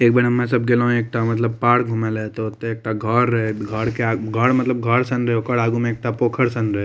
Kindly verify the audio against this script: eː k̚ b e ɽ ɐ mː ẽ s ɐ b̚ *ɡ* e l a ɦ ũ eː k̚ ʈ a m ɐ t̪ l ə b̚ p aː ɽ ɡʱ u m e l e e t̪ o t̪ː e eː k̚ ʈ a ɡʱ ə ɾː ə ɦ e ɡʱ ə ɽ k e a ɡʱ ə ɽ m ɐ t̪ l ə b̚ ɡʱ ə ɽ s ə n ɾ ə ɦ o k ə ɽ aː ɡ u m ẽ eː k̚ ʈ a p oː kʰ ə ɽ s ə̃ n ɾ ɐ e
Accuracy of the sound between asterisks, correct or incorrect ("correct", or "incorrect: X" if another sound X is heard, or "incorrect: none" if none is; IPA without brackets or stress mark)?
correct